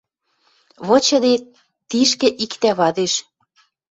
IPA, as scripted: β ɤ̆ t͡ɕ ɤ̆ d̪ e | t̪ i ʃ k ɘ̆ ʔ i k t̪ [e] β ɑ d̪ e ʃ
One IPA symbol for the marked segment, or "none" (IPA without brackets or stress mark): æ